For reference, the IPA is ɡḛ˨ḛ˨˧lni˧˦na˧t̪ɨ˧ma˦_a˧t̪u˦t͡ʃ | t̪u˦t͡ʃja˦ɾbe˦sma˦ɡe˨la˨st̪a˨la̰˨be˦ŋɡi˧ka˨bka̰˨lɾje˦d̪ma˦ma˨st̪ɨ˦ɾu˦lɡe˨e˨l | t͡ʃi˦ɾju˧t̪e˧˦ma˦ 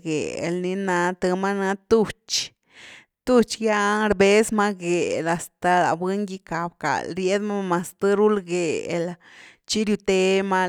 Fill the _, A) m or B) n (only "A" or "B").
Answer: B